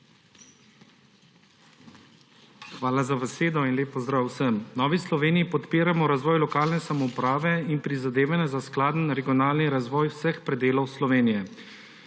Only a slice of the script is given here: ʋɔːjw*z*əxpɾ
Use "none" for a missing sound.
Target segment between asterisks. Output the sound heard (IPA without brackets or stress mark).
s